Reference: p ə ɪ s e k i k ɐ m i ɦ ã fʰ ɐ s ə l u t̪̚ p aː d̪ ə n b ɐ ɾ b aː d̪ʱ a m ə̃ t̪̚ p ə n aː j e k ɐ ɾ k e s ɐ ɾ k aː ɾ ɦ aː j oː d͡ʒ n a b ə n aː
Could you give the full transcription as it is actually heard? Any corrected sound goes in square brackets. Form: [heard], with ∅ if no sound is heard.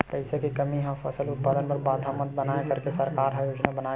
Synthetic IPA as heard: p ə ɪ s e k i k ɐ m i ɦ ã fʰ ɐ s ə l [ʊ] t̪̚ p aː d̪ ə n [p] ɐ ɾ b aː d̪ʱ a m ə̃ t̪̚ [b] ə n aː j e k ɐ ɾ k e s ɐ ɾ k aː ɾ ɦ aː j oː d͡ʒ n a b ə n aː